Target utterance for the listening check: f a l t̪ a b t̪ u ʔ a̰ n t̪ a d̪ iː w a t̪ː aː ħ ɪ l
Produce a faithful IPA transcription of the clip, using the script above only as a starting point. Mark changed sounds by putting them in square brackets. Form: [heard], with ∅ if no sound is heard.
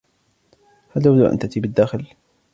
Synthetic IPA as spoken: [h] a l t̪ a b [d̪] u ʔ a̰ n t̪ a [t̪] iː [b] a [d̪ː] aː [x] ɪ l